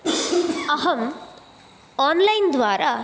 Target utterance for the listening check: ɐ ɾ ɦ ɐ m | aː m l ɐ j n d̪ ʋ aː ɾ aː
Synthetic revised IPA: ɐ ɦ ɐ m | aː n l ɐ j n d̪ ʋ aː ɾ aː